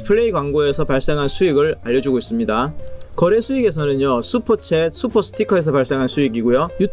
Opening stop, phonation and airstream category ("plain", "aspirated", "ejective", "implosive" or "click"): aspirated